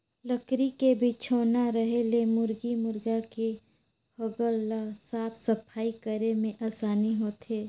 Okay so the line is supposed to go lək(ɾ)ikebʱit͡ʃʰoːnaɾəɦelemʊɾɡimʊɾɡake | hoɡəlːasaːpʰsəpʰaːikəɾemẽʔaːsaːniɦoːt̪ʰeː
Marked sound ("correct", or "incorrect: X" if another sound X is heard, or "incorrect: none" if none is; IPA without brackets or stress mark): correct